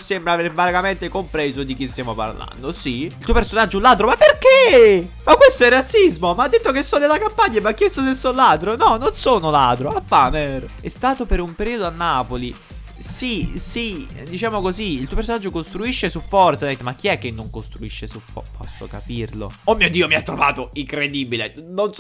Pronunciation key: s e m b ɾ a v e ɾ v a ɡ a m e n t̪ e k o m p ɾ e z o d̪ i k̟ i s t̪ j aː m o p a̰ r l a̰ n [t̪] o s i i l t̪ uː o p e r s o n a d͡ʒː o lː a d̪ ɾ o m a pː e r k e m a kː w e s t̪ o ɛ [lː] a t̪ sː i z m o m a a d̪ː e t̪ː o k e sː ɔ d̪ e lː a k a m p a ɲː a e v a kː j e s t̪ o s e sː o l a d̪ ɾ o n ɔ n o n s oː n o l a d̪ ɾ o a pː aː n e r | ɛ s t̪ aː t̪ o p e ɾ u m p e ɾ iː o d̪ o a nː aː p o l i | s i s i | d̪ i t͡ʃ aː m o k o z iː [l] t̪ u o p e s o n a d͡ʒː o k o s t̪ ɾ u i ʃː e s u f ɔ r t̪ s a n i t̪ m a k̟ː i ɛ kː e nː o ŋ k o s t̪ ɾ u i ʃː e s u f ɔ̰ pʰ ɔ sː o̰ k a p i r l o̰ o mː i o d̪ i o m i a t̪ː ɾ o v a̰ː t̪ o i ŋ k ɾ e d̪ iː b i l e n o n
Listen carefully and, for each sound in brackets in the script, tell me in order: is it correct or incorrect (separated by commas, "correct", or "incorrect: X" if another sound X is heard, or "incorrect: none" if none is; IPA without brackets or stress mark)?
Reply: incorrect: d̪, incorrect: rː, correct